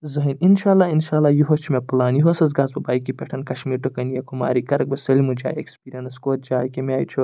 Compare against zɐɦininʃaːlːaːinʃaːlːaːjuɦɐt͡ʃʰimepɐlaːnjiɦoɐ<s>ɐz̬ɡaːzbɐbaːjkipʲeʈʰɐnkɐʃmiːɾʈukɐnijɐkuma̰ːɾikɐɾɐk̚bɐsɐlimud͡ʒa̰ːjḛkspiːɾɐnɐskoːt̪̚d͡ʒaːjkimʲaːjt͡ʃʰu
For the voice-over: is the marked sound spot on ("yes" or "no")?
yes